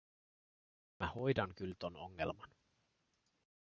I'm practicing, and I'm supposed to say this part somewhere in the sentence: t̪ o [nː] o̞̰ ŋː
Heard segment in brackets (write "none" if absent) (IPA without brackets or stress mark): n